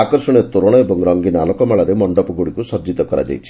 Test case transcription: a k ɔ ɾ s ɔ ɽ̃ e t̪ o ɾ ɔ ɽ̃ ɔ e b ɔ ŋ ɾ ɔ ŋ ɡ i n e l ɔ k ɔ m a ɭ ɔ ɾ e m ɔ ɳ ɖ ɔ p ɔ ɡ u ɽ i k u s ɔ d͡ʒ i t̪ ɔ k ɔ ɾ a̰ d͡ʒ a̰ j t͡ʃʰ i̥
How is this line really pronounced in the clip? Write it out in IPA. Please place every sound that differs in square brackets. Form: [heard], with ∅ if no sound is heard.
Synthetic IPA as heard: a k ɔ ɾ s ɔ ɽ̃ e t̪ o ɾ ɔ ɽ̃ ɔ e b ɔ ŋ ɾ ɔ ŋ ɡ i n [a] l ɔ k ɔ m a ɭ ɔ ɾ e m ɔ ɳ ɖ ɔ p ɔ ɡ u ɽ i k u s ɔ d͡ʒ i t̪ ɔ k ɔ ɾ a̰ d͡ʒ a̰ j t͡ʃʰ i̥